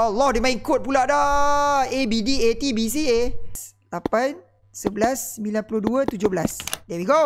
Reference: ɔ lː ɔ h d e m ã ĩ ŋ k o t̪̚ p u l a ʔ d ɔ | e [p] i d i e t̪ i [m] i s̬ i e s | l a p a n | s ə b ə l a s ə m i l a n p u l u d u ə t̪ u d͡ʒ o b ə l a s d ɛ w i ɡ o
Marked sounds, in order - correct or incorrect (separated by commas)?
incorrect, incorrect